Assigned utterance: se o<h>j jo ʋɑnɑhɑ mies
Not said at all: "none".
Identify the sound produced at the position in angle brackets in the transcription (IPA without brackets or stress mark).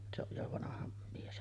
none